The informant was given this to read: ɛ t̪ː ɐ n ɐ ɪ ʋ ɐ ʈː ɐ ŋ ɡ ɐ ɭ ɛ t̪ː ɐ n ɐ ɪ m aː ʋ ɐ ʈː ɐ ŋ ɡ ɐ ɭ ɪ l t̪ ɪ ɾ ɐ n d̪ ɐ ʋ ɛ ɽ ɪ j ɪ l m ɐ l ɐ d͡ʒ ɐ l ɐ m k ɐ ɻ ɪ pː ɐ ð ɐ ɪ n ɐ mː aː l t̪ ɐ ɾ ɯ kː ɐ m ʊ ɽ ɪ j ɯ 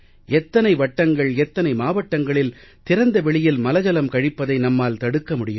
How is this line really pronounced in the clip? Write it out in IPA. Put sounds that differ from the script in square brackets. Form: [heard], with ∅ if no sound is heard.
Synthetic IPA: ɛ t̪ː ɐ n ɐ ɪ ʋ ɐ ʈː ɐ ŋ ɡ ɐ ɭ ɛ t̪ː ɐ n ɐ ɪ m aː ʋ ɐ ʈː ɐ ŋ ɡ ɐ ɭ ɪ l t̪ ɪ ɾ ɐ n d̪ ɐ ʋ ɛ [ɭ] ɪ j ɪ l m ɐ l ɐ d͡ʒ ɐ l ɐ m k ɐ ɻ ɪ pː ɐ ð ɐ ɪ n ɐ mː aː l t̪ ɐ [ɽ] ɯ kː ɐ m ʊ ɽ ɪ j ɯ